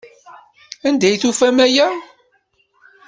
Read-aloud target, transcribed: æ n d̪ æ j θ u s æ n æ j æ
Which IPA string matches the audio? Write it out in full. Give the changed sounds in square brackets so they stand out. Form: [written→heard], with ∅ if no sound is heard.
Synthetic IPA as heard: æ n d̪ æ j θ u [s→f] æ [n→m] æ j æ